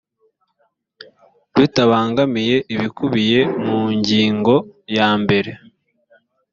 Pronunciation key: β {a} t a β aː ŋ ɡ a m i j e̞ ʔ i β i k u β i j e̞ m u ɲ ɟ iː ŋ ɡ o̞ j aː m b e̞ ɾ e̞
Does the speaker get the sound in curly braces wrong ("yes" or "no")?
yes